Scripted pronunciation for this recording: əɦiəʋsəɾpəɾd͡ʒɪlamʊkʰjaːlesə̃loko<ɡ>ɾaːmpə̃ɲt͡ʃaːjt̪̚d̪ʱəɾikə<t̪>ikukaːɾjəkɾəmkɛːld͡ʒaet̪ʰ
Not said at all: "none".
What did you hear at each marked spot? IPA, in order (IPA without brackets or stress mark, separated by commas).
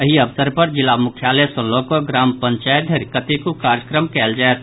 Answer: ɡ, t̪